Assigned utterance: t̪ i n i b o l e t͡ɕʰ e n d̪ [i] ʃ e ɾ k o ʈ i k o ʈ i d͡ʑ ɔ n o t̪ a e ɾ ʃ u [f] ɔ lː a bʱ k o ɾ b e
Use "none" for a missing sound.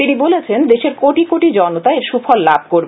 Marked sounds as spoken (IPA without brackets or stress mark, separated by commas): e, f